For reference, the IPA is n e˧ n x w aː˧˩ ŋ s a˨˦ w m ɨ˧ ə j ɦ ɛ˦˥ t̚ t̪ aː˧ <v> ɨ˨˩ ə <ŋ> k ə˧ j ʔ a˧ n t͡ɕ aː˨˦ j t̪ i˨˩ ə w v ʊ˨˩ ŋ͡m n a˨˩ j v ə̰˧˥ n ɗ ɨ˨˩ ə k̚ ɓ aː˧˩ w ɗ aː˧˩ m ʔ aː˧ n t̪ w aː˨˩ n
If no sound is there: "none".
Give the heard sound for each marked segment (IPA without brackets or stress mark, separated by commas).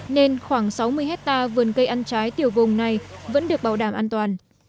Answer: v, n